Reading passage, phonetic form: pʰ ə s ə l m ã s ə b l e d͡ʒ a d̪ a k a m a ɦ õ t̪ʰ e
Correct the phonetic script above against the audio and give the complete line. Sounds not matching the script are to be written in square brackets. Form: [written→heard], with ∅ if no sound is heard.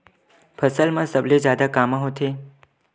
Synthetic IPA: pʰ ə s ə l m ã s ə b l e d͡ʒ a d̪ a k a m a ɦ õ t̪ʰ e